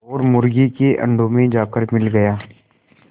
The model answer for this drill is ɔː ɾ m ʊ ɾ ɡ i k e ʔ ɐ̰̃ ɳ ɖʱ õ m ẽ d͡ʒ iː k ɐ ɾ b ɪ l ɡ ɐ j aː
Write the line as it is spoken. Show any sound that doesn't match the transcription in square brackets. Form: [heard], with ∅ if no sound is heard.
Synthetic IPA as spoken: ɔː ɾ m ʊ ɾ ɡ i k e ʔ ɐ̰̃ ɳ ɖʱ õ m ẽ d͡ʒ [aː] k [ə] ɾ [m] ɪ l ɡ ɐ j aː